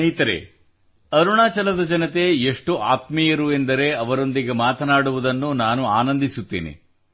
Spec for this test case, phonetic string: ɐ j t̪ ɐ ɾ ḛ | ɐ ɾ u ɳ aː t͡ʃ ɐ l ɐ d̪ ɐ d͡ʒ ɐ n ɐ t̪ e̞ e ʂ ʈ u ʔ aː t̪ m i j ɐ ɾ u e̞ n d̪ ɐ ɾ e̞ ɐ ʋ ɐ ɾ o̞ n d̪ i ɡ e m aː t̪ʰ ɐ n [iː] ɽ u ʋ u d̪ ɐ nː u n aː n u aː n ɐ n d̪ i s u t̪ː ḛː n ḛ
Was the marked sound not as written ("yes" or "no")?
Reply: yes